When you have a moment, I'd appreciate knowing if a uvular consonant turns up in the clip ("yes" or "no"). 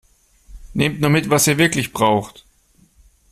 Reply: yes